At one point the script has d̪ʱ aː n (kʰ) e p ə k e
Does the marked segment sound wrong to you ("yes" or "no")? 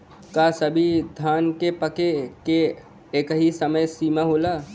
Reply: yes